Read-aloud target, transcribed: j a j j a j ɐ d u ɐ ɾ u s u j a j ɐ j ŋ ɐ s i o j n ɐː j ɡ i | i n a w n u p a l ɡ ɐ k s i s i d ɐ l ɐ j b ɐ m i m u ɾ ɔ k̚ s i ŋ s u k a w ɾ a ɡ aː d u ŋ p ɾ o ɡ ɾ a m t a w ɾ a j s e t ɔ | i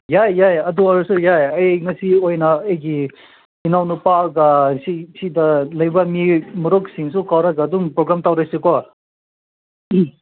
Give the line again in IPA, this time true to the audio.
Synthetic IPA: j a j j a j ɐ d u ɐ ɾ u s u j a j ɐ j ŋ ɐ s i o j n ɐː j ɡ i | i n a w n u p a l ɡ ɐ s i s i d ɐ l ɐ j b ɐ m i m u ɾ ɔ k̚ s i ŋ s u k a w ɾ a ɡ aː d u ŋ p ɾ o ɡ ɾ a m t a w ɾ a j s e k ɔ | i